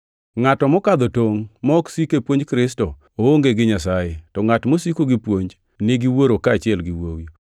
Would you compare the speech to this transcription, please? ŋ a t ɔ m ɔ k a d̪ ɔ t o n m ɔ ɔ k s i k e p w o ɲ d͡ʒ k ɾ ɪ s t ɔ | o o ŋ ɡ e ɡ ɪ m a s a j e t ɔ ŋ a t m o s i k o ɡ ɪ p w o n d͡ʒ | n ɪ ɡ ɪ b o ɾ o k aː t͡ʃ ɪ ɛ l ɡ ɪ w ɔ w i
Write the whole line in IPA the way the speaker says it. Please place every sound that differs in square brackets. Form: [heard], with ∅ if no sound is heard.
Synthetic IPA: ŋ a t ɔ m ɔ k a d̪ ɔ t o [ŋ] m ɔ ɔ k s i k e p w o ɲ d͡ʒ k ɾ ɪ s t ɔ | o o ŋ ɡ e ɡ ɪ [ɲ] a s a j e t ɔ ŋ a t m o s i k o ɡ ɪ p w o [ɲ] d͡ʒ | n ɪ ɡ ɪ [w] o ɾ o k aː t͡ʃ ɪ ɛ l ɡ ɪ w [o] w i